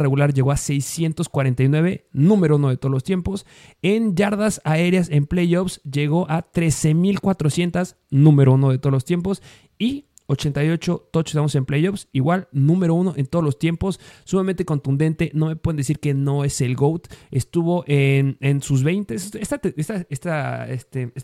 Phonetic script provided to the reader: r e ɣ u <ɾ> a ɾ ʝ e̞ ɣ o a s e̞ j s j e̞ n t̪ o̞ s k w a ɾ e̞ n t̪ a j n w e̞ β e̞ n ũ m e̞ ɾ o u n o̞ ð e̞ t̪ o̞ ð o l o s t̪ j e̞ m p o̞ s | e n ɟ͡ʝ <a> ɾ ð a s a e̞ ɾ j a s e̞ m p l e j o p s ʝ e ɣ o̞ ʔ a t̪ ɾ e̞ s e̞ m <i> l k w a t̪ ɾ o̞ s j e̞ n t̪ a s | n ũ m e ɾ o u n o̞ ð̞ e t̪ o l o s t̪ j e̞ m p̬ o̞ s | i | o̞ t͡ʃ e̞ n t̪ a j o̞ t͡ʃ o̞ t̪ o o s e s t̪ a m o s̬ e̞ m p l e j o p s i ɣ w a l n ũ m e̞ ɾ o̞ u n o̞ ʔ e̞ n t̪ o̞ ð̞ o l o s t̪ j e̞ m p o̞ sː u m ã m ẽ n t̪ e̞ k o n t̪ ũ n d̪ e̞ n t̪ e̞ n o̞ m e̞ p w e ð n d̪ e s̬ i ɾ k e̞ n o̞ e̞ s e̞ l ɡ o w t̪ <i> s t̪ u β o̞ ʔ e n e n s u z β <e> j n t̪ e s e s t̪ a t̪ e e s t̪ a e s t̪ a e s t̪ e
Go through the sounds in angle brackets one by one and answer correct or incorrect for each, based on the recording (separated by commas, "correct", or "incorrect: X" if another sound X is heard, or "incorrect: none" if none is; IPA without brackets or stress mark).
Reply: incorrect: l, correct, correct, incorrect: e, correct